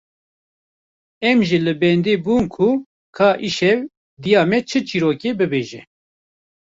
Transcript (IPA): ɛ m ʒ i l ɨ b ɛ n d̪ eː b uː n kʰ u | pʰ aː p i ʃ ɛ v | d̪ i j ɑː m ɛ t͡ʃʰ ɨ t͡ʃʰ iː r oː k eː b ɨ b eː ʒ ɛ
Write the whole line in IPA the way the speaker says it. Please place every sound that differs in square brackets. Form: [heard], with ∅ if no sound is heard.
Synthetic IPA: ɛ m ʒ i l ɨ b ɛ n d̪ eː b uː n kʰ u | [kʰ] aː [ʔ] i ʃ ɛ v | d̪ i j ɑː m ɛ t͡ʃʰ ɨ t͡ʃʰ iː [ɾ] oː k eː b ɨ b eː ʒ ɛ

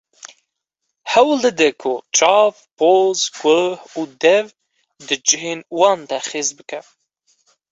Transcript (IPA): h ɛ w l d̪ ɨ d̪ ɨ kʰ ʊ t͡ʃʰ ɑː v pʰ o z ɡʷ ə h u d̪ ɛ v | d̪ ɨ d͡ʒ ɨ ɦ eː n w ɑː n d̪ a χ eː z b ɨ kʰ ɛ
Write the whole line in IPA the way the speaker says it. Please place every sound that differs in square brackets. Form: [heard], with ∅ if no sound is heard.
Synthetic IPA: h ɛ w l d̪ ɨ d̪ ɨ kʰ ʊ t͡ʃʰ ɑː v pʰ o z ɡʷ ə h u d̪ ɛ v | d̪ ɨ d͡ʒ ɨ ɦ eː n w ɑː n d̪ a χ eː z b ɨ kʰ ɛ

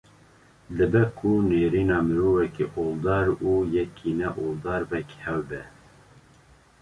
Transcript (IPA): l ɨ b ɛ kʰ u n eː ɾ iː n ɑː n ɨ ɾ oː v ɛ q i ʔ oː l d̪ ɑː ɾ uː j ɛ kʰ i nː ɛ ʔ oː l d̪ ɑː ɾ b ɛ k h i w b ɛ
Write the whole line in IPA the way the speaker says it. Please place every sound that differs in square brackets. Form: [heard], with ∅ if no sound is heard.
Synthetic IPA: l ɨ b ɛ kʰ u n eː ɾ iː n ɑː [m] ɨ ɾ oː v ɛ [k] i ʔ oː l d̪ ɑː ɾ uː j ɛ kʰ i [n] ɛ ʔ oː l d̪ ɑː ɾ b ɛ k h [ɛ] w b ɛ

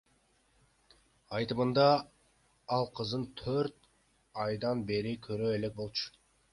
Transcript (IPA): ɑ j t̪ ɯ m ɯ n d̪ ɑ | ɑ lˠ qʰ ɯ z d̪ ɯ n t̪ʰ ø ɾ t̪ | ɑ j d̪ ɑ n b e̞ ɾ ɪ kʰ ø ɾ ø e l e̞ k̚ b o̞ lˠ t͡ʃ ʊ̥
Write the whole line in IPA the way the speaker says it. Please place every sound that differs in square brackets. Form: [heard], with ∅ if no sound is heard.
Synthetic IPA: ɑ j t̪ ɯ m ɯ n d̪ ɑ | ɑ lˠ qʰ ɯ z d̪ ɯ n t̪ʰ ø ɾ t̪ | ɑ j d̪ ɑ n b e̞ ɾ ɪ kʰ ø ɾ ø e l e̞ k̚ b o̞ lˠ t͡ʃ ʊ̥

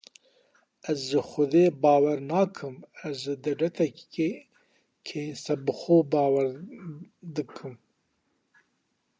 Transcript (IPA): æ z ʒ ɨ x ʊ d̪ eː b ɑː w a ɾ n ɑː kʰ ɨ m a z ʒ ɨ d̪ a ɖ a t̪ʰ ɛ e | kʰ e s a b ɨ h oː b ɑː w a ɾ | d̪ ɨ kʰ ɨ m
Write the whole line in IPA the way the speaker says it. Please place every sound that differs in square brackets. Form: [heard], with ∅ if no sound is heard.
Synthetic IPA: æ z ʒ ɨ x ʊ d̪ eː b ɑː w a ɾ n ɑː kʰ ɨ m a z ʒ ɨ d̪ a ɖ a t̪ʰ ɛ e | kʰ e s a b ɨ [x] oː b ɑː w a ɾ | d̪ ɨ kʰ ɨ m

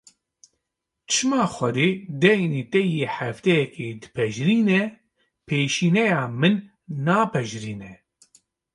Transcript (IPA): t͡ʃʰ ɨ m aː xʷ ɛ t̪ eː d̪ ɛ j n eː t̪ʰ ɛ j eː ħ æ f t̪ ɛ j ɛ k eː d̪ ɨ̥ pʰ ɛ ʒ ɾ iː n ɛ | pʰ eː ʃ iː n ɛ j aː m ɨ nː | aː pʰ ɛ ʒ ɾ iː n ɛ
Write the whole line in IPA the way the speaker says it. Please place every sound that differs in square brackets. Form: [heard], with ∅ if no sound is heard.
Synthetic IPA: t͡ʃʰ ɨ m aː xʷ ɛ [d̪] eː d̪ ɛ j n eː [t̪] ɛ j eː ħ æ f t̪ ɛ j ɛ k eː d̪ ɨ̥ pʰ ɛ ʒ ɾ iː n ɛ | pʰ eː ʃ iː n ɛ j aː m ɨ nː | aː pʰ ɛ ʒ ɾ iː n ɛ

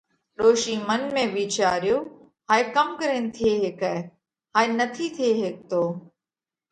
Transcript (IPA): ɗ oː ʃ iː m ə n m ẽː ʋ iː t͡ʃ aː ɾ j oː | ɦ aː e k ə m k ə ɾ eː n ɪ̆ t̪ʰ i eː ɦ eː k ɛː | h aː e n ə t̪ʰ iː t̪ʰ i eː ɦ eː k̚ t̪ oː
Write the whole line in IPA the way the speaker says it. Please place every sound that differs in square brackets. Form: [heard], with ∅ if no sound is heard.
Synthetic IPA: ɗ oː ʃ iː m ə n m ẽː ʋ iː t͡ʃ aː ɾ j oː | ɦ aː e k ə m k ə ɾ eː n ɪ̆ t̪ʰ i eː ɦ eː k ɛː | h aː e n ə t̪ʰ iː t̪ʰ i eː ɦ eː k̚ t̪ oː

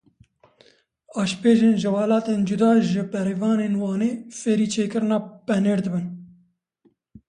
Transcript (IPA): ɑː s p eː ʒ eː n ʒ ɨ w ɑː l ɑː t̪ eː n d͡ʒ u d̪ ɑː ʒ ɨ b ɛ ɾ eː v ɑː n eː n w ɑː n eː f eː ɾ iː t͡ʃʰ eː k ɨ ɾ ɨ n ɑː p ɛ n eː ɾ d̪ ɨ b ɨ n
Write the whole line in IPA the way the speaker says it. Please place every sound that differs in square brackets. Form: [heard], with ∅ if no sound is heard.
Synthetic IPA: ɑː [ʃ] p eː ʒ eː n ʒ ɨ w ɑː l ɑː t̪ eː n d͡ʒ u d̪ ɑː ʒ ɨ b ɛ ɾ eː v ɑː n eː n w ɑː n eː f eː ɾ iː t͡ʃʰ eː k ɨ ɾ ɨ n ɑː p ɛ n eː ɾ d̪ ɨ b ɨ n

